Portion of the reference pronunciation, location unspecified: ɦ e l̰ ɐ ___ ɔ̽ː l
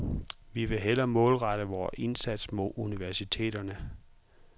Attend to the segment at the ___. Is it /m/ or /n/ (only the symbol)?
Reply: m